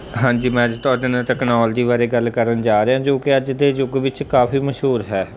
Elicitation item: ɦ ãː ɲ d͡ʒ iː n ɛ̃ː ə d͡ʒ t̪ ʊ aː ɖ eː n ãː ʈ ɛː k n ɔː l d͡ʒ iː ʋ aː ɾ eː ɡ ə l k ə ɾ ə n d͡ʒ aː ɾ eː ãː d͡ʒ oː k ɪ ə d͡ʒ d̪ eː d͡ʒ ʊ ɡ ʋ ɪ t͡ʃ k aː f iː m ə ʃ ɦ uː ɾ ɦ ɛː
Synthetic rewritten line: ɦ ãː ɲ d͡ʒ iː m ɛ̃ː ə d͡ʒ t̪ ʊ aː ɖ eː n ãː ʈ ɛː k n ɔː l d͡ʒ iː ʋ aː ɾ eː ɡ ə l k ə ɾ ə n d͡ʒ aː ɾ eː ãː d͡ʒ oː k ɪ ə d͡ʒ d̪ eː d͡ʒ ʊ ɡ ʋ ɪ t͡ʃ k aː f iː m ə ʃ ɦ uː ɾ ɦ ɛː